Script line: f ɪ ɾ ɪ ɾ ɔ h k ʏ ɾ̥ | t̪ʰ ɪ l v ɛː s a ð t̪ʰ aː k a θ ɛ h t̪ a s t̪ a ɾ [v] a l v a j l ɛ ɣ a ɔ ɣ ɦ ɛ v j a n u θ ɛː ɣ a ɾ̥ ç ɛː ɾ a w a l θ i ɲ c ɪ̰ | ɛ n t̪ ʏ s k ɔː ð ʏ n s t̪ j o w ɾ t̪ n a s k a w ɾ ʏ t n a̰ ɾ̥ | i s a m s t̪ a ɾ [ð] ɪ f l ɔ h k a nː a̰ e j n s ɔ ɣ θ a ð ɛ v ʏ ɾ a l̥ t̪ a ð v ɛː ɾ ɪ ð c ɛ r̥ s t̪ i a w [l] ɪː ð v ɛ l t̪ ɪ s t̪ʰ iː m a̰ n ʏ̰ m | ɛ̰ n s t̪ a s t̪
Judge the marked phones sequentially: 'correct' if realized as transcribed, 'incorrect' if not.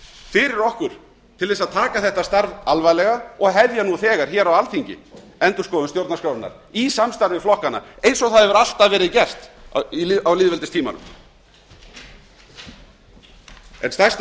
correct, incorrect, correct

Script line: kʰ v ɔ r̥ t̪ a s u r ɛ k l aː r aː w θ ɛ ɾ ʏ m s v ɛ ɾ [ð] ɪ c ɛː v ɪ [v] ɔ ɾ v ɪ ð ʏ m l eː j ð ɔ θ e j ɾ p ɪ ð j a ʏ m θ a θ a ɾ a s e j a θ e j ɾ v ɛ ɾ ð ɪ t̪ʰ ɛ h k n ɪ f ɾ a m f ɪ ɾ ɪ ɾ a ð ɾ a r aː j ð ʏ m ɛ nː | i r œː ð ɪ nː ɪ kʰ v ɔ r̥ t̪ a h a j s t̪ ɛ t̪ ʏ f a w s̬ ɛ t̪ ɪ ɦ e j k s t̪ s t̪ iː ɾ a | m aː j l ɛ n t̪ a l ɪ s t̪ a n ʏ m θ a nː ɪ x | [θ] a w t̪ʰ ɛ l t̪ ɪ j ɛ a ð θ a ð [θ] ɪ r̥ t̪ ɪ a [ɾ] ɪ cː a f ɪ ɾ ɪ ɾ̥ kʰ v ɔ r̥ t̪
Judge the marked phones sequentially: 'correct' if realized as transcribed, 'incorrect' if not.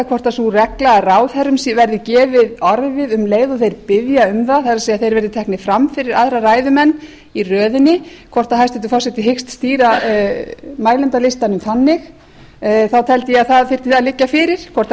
correct, incorrect, correct, incorrect, incorrect

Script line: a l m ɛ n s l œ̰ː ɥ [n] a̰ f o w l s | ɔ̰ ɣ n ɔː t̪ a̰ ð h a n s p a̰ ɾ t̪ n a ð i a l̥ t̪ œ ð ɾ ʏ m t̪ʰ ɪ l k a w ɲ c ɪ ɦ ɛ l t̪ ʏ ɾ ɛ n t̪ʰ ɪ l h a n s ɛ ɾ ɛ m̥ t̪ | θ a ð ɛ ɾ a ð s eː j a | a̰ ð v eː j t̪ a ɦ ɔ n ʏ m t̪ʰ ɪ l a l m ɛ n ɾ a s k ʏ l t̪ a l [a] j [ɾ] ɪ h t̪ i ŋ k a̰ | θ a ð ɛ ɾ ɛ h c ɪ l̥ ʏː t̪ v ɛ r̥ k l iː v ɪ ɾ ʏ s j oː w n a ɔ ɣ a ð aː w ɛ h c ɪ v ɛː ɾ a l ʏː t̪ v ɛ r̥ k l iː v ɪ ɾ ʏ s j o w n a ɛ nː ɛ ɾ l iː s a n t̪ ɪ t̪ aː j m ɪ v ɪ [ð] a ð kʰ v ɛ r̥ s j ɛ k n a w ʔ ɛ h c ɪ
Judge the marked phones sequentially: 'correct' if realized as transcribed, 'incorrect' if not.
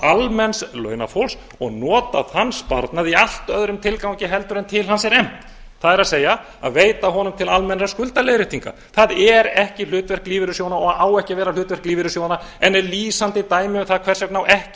correct, incorrect, correct, incorrect

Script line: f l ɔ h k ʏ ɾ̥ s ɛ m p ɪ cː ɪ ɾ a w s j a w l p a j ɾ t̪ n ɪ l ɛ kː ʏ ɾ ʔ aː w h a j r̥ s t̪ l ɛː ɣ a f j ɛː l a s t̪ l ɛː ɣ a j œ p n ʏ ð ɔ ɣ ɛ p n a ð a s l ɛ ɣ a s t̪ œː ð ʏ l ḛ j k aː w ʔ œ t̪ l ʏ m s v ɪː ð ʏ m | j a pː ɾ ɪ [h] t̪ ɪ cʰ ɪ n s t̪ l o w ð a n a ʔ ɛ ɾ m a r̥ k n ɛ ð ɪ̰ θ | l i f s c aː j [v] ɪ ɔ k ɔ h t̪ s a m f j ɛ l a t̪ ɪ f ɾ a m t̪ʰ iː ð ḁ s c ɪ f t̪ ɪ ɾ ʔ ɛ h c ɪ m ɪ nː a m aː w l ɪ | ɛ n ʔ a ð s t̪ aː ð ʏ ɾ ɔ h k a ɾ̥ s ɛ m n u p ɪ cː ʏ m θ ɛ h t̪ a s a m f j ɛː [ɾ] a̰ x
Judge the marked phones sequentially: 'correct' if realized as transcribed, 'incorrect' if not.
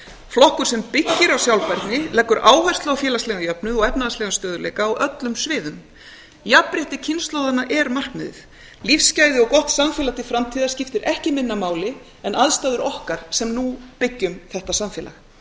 correct, incorrect, incorrect

